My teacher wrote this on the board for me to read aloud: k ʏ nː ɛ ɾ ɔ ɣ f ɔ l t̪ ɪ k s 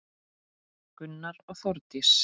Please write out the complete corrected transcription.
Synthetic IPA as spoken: k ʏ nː a ɾ ɔ ɣ θ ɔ ɾ t̪ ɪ s